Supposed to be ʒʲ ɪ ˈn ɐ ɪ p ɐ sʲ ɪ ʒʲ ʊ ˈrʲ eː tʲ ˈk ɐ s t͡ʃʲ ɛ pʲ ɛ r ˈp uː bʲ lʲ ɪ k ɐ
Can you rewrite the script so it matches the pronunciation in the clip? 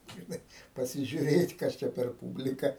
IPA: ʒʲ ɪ ˈn ɐ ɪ p ɐ sʲ ɪ ʒʲ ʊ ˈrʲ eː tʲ ˈk ɐ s t͡ʃʲ ɛ pʲ ɛ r ˈp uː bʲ lʲ ɪ k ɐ